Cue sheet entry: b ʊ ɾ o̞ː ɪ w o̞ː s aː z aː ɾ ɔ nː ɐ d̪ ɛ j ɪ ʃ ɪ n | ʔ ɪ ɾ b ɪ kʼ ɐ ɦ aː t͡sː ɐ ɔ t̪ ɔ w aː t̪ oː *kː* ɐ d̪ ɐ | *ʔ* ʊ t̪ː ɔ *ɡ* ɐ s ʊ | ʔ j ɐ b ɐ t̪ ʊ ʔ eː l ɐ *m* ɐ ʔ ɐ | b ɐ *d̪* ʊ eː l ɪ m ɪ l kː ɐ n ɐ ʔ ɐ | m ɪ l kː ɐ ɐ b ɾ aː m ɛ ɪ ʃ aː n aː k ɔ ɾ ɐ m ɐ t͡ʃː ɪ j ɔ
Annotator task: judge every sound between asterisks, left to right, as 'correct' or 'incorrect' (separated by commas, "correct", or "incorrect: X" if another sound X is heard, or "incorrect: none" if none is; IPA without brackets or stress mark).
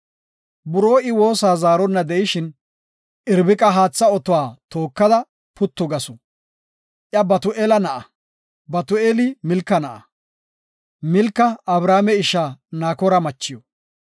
correct, incorrect: p, correct, incorrect: n, incorrect: t̪